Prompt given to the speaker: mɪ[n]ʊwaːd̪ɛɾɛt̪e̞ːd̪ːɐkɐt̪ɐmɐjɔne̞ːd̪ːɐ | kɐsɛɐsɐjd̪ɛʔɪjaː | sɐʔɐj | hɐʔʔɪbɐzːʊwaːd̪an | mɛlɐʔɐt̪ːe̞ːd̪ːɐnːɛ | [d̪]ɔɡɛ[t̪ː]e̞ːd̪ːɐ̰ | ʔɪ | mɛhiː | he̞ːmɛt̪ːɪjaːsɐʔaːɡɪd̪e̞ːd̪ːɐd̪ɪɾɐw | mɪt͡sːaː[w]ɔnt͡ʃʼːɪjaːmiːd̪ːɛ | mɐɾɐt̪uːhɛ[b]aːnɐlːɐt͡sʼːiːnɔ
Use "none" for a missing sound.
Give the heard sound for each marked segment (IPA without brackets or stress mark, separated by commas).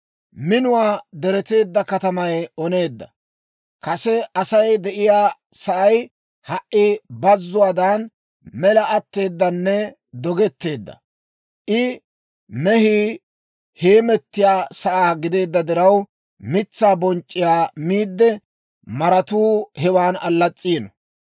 n, d̪, t̪ː, b, w